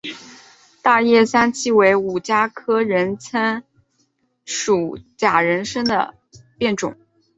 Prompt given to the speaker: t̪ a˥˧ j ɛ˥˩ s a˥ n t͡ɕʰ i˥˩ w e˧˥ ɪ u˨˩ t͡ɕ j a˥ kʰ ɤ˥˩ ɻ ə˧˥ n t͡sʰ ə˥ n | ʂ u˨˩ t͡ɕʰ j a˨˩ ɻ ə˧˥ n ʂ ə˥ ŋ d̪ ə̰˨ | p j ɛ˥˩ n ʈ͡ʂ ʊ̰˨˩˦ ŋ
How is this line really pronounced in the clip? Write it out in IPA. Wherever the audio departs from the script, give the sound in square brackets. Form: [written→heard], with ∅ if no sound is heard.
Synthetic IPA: t̪ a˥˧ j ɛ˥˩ s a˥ n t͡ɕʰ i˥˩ w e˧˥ ɪ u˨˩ t͡ɕ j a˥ kʰ [ɤ˥˩→ɤ˥] ɻ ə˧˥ n t͡sʰ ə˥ n | ʂ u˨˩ [t͡ɕʰ→t͡ɕ] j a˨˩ ɻ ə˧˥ n ʂ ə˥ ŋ d̪ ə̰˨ | p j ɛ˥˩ n ʈ͡ʂ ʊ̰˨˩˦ ŋ